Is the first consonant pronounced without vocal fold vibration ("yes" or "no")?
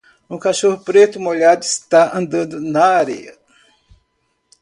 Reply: yes